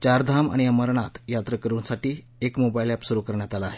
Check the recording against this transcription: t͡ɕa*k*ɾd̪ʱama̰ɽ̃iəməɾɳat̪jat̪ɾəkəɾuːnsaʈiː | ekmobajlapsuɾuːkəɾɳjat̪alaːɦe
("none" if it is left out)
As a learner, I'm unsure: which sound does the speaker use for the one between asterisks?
none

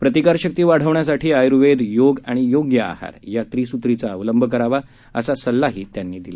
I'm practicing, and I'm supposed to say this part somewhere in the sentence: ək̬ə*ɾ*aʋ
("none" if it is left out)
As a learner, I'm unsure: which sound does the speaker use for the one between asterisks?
ɾ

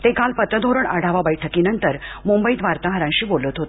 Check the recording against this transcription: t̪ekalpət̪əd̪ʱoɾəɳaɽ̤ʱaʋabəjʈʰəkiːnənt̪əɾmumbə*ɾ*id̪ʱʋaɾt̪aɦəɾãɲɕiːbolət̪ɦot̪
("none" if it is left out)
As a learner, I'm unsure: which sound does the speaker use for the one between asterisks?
none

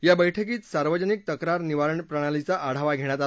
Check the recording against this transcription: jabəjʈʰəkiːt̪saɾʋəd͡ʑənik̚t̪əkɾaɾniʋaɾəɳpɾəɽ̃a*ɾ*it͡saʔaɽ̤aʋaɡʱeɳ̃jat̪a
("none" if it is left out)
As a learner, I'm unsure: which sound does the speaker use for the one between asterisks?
l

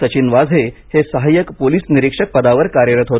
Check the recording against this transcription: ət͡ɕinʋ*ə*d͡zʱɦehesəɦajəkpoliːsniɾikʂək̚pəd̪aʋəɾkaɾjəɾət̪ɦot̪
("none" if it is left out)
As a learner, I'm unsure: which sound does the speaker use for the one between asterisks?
a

